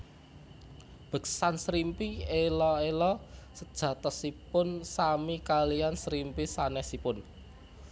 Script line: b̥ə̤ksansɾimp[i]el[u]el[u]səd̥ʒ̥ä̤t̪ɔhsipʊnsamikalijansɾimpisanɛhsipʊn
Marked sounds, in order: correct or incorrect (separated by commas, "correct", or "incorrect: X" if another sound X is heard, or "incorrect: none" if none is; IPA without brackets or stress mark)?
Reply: correct, incorrect: ɔ, incorrect: ɔ